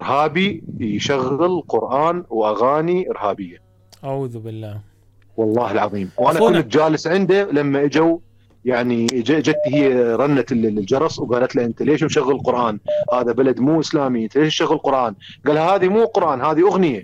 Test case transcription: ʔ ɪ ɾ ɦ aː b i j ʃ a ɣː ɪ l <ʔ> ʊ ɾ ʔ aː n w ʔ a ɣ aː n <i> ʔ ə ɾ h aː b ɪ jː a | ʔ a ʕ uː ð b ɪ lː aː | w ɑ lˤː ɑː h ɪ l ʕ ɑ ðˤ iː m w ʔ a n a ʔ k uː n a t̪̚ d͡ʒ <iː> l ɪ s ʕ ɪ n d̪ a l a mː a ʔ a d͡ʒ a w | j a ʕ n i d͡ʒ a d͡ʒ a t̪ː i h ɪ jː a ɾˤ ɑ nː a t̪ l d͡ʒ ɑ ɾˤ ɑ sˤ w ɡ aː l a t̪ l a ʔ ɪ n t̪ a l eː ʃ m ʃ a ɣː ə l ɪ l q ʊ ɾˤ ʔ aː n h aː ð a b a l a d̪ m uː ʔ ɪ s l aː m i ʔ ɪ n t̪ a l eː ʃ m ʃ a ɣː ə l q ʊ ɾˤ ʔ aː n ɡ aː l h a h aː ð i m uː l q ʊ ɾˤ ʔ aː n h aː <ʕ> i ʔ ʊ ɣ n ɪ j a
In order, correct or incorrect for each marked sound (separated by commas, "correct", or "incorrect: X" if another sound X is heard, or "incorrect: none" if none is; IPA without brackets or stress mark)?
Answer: incorrect: q, correct, incorrect: aː, incorrect: ð